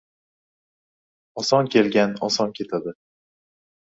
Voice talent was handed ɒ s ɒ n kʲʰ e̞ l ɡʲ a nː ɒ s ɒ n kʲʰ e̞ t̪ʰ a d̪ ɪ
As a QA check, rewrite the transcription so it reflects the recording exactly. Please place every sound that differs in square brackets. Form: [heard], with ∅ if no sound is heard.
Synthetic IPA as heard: ɒ s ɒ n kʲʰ e̞ l ɡʲ a [n] ɒ s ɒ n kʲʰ e̞ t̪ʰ a d̪ ɪ